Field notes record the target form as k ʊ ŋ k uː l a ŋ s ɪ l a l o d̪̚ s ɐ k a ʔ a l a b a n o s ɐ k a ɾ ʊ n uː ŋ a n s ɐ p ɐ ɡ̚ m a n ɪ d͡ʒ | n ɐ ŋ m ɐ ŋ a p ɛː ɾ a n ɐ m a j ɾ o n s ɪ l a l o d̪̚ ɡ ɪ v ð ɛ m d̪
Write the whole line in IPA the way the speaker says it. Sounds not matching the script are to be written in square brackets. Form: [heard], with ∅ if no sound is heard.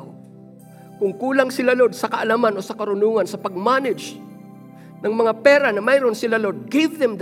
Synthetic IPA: k ʊ ŋ k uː l a ŋ s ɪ l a l o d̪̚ s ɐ k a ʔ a l a [m] a n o s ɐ k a ɾ ʊ n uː ŋ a n s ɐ p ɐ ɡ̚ m a n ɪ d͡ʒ | n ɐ ŋ m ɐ ŋ a p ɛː ɾ a n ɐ m a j ɾ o n s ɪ l a l o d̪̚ ɡ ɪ v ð ɛ m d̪